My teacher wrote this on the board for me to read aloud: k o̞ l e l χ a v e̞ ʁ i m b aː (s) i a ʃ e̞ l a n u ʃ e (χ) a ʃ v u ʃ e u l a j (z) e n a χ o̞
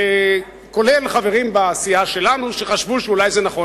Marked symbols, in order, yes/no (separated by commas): yes, yes, yes